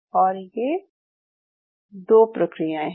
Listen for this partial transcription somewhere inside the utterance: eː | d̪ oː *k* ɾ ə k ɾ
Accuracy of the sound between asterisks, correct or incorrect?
incorrect